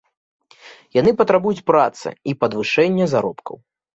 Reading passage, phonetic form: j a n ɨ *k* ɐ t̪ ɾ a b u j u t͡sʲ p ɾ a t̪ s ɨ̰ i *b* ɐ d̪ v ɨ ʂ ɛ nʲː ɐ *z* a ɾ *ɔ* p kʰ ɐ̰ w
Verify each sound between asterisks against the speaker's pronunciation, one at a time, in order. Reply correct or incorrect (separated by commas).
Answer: incorrect, incorrect, correct, correct